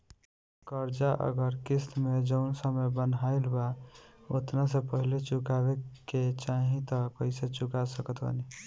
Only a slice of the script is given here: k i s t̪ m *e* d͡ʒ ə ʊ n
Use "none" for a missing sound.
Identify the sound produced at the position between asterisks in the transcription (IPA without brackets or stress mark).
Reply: e